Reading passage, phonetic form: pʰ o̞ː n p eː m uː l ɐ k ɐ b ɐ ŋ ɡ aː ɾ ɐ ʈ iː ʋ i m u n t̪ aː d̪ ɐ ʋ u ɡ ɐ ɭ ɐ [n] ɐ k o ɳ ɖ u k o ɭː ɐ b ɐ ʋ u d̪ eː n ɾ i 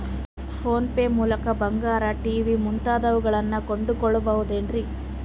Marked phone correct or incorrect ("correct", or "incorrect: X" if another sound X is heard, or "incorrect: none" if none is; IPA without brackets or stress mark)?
incorrect: nː